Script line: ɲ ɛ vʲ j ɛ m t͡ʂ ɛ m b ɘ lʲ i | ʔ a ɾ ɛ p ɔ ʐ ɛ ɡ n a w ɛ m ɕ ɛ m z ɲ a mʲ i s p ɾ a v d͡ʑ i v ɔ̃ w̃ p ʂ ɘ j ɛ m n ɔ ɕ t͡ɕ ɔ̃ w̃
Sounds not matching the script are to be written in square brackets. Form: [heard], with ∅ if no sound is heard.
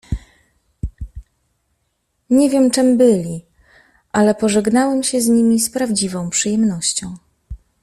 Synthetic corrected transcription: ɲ ɛ vʲ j ɛ m t͡ʂ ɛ m b ɘ lʲ i | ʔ a [l] ɛ p ɔ ʐ ɛ ɡ n a w ɛ m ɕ ɛ [∅] z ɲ [i] mʲ i s p ɾ a v d͡ʑ i v ɔ̃ w̃ p ʂ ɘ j ɛ m n ɔ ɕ t͡ɕ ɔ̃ w̃